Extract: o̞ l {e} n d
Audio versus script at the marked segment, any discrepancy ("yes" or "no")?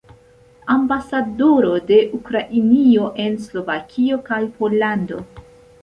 yes